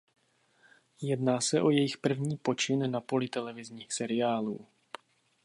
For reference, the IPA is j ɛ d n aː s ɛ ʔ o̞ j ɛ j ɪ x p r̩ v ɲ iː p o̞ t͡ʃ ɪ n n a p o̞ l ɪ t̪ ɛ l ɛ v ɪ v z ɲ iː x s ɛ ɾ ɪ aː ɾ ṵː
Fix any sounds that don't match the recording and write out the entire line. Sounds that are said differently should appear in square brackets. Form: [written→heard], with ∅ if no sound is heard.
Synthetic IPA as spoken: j ɛ d n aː s ɛ ʔ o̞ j ɛ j ɪ x p r̩ v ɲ iː p o̞ t͡ʃ ɪ n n a p o̞ l ɪ t̪ ɛ l ɛ v ɪ [v→∅] z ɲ iː x s ɛ ɾ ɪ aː [ɾ→l] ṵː